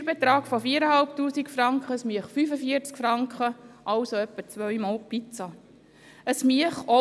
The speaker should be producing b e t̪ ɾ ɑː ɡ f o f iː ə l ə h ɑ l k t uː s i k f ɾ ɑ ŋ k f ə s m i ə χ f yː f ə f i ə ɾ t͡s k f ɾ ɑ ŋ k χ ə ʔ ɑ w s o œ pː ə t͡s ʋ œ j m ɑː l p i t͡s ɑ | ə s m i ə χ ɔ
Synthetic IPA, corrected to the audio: b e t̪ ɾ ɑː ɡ f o f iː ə ɾ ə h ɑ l p t uː s i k f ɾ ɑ ŋ k χ ə s m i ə χ f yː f ə f i ə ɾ t͡s k f ɾ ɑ ŋ k χ ə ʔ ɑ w s o œ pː ə t͡s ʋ œ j m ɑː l p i t͡s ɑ | ə s m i ə χ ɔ